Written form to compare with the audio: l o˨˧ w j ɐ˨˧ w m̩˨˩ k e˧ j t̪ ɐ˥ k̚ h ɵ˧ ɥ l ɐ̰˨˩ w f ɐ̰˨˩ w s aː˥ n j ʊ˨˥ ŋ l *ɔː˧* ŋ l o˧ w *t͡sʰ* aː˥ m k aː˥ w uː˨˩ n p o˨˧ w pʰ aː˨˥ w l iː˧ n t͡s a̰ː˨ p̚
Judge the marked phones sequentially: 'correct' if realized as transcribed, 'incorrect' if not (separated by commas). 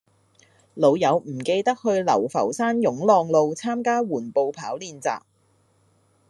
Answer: correct, correct